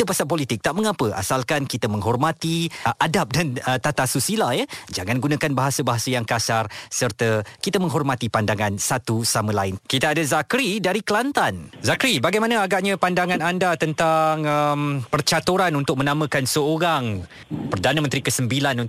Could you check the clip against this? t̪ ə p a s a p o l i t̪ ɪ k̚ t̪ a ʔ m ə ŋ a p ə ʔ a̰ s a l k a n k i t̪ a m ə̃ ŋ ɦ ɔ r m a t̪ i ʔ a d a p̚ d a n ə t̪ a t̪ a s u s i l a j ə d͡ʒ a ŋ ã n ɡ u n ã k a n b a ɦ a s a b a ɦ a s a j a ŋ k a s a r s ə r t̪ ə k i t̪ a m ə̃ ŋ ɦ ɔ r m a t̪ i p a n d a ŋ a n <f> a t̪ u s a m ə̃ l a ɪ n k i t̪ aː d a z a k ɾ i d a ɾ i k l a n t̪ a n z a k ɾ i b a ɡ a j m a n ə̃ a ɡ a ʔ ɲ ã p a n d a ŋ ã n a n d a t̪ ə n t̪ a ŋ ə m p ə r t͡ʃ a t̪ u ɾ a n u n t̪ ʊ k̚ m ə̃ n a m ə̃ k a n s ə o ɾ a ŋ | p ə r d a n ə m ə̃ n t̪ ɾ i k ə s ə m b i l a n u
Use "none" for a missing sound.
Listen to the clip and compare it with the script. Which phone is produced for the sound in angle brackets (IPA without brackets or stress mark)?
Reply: s